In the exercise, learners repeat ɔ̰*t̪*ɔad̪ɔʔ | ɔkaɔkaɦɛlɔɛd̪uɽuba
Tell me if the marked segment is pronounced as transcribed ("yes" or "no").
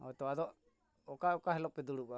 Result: yes